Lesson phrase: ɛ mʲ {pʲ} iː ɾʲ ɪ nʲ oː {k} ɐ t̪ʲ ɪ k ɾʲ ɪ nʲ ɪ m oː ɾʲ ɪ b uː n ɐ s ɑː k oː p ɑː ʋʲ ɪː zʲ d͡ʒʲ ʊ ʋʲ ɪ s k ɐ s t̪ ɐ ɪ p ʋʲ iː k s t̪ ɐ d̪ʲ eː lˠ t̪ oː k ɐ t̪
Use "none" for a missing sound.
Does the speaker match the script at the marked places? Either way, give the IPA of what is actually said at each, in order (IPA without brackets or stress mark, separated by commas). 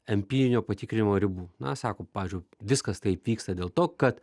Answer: pʲ, p